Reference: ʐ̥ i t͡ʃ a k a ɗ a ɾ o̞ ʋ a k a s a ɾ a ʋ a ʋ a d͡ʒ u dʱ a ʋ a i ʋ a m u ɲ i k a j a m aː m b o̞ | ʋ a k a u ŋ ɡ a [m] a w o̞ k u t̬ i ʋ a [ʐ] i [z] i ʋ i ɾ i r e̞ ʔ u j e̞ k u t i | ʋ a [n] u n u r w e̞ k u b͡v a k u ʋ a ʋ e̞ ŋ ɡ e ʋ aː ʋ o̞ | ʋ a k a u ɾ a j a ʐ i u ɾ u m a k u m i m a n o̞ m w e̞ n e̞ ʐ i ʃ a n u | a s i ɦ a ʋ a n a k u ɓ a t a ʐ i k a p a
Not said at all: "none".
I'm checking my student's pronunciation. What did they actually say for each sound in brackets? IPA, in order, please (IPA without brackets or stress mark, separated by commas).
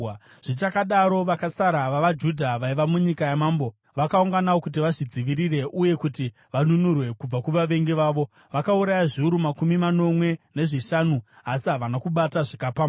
n, ʐ, d͡z, n